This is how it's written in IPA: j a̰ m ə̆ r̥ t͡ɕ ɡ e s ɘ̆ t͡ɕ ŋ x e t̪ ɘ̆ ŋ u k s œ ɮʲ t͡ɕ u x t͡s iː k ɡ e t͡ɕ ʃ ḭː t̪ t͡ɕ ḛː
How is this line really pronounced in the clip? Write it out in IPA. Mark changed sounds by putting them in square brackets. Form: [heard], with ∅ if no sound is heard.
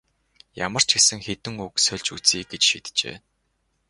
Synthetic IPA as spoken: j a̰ m ə̆ r̥ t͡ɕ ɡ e s ɘ̆ [∅] ŋ x e t̪ ɘ̆ ŋ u k s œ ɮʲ t͡ɕ u [∅] t͡s iː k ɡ e t͡ɕ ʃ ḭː t̪ t͡ɕ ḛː